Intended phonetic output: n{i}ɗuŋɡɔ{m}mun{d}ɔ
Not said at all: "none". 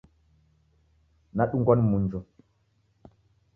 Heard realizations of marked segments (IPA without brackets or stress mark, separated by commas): a, n, d͡ʒ